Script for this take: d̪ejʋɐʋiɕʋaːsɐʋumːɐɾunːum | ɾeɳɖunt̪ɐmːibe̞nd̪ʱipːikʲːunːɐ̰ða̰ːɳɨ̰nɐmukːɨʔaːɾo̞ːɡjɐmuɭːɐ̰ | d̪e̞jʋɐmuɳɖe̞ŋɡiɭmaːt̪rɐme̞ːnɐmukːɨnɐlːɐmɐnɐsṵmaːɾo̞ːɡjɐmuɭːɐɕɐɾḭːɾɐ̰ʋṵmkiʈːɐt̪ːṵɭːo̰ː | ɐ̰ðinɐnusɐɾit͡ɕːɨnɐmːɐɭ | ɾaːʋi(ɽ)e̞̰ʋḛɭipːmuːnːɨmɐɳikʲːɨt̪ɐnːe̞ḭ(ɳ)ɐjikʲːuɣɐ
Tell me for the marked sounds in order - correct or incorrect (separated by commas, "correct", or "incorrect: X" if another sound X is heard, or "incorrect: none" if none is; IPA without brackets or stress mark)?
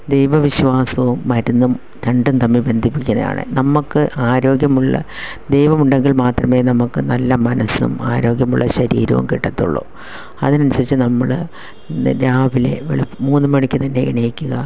incorrect: l, correct